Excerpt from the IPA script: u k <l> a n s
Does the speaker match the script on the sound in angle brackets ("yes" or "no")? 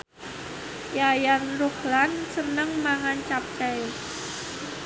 yes